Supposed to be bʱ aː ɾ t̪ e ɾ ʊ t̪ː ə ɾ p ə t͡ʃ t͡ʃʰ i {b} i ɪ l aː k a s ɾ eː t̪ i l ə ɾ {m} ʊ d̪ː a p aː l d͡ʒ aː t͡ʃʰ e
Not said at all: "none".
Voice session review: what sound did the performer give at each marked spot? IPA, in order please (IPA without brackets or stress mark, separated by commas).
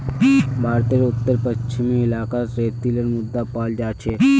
m, m